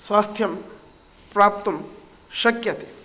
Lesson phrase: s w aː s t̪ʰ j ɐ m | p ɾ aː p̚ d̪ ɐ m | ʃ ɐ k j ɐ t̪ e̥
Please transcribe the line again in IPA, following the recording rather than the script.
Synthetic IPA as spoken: s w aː s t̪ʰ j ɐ m | p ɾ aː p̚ t̪ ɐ m | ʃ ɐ k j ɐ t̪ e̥